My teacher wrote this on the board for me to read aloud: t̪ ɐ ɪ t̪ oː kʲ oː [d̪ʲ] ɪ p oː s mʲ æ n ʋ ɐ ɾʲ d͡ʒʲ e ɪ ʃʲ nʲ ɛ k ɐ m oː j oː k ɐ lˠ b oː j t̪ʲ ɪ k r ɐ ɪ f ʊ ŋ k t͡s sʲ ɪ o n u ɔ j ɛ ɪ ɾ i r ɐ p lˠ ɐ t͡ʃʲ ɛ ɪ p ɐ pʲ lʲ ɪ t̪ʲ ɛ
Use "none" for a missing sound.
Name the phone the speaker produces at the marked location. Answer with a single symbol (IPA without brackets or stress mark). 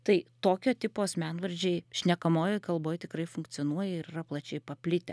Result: t̪ʲ